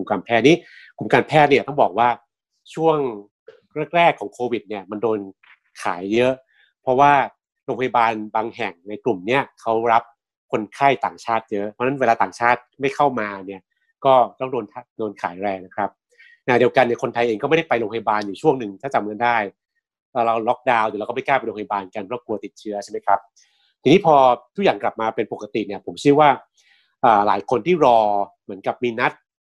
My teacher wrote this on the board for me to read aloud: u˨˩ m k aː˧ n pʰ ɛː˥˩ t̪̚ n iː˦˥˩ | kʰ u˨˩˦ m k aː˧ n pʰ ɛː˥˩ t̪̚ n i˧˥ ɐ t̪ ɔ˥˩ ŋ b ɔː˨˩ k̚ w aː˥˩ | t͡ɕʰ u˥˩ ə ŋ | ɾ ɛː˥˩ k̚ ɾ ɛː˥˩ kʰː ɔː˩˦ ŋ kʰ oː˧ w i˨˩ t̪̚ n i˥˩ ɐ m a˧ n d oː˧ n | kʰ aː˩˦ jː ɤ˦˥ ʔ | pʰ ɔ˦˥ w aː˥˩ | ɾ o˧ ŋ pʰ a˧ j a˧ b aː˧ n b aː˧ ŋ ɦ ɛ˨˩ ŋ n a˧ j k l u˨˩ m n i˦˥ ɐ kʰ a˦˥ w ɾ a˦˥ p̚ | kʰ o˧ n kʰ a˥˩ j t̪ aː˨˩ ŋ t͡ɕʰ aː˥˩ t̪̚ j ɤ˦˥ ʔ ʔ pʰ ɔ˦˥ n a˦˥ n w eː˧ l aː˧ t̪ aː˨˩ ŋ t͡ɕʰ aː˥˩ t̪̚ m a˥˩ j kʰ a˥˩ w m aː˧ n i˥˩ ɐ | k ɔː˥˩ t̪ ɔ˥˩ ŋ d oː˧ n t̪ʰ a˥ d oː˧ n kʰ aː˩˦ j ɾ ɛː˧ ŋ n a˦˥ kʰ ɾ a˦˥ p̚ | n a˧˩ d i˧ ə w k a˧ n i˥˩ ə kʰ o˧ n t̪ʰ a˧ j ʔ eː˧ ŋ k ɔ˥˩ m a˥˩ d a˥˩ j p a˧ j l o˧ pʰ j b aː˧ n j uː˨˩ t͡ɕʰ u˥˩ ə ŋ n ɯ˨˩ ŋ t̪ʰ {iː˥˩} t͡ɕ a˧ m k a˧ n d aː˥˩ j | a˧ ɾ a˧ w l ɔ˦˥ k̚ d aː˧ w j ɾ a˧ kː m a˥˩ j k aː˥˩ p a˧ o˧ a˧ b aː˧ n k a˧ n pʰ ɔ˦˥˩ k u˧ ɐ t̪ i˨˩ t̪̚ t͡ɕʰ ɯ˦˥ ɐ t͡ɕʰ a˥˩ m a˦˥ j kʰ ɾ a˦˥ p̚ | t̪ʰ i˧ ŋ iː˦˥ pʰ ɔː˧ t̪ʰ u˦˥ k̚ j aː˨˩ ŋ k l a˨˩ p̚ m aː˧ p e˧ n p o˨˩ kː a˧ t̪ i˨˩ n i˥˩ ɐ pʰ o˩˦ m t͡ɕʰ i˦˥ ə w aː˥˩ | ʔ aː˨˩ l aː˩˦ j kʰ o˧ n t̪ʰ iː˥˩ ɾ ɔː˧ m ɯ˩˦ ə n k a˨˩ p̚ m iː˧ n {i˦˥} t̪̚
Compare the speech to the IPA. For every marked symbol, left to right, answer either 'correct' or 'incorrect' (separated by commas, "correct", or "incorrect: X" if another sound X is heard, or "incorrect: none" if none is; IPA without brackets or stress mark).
incorrect: aː˥˩, incorrect: a˦˥